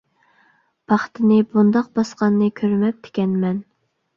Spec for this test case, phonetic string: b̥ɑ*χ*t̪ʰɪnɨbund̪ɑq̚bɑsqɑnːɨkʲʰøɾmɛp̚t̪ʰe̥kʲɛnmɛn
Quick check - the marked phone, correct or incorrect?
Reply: correct